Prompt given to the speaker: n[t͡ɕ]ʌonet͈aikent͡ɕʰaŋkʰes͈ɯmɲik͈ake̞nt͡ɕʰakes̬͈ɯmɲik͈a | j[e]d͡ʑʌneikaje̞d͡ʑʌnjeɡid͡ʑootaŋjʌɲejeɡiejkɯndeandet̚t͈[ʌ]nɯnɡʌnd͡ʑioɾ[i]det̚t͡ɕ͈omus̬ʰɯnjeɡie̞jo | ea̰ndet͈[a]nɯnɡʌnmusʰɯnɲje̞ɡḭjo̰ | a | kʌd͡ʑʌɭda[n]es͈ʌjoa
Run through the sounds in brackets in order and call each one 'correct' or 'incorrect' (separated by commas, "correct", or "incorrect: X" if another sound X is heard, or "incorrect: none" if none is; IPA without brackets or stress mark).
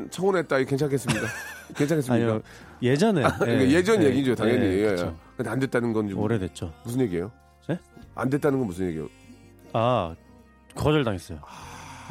incorrect: t͡ɕʰ, correct, incorrect: a, incorrect: e, correct, incorrect: ŋ